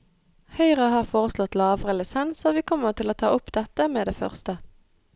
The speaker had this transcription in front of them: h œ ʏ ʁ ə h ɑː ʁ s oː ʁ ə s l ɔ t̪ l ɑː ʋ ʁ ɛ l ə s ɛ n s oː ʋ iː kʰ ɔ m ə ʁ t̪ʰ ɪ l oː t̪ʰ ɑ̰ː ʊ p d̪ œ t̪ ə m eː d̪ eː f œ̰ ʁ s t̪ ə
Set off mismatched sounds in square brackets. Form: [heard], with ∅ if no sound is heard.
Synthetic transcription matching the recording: h œ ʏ ʁ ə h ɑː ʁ [f] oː ʁ ə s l ɔ t̪ l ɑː ʋ ʁ ɛ l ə s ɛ n s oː ʋ iː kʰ ɔ m ə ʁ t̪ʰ ɪ l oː t̪ʰ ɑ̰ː ʊ p d̪ [ɛ] t̪ ə m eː d̪ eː f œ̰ ʁ s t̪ ə